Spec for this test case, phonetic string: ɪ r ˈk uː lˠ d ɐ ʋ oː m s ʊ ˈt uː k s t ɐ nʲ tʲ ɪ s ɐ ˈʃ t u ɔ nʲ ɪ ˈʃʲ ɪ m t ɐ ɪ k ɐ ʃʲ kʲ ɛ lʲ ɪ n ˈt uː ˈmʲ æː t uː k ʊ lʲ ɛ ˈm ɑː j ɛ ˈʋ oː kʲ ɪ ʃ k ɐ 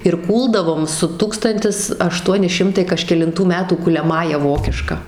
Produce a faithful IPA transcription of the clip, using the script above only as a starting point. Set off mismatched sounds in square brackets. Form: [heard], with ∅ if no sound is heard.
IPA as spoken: ɪ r ˈk uː lˠ d ɐ ʋ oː m s ʊ ˈt uː k s t ɐ nʲ tʲ ɪ s ɐ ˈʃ t u ɔ nʲ ɪ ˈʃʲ ɪ m t ɐ ɪ k ɐ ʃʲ kʲ ɛ lʲ ɪ n ˈt uː ˈmʲ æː t uː k ʊ lʲ ɛ ˈm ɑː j ɛ ˈʋ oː kʲ ɪ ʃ k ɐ